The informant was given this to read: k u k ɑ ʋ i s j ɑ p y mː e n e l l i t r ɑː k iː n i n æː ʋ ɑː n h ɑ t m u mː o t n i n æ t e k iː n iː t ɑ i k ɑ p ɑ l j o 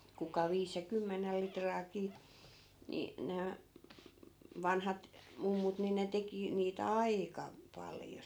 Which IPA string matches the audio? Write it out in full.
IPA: k u k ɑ ʋ iː s j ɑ k y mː e n e l l i t r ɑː k iː n i n æː ʋ ɑ n h ɑ t m u mː u t n i n e t e k i n iː t ɑ i k ɑ p ɑ l j o